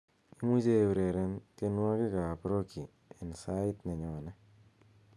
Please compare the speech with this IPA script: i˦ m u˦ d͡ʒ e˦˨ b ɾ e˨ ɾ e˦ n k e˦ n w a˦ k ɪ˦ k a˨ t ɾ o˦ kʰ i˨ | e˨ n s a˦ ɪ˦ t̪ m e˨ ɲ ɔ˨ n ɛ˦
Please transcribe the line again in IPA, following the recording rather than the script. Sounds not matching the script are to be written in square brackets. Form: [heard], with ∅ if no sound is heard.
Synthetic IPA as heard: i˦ m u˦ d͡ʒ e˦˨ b ɾ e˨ ɾ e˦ n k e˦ n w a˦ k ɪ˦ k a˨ [p] ɾ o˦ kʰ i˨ | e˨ n s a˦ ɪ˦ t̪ [n] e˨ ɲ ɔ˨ n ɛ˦